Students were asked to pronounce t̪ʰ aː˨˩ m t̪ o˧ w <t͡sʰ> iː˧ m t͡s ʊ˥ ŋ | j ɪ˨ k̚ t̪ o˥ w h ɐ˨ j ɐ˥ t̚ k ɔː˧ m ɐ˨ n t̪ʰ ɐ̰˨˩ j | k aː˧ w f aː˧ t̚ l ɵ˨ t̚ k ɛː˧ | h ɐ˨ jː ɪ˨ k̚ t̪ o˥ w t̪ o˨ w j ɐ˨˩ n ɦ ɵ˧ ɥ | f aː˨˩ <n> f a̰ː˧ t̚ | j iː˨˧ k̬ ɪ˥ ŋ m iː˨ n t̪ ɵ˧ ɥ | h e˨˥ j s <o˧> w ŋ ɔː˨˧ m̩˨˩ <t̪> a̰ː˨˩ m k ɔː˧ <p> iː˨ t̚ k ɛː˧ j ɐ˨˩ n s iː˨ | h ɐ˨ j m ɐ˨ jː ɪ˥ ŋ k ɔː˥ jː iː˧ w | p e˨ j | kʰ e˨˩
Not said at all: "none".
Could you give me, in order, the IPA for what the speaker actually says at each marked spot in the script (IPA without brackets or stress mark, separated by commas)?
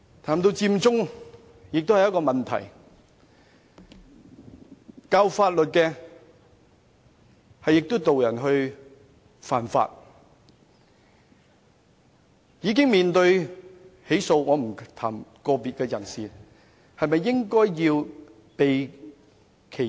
t͡s, n, o˧, t̪ʰ, p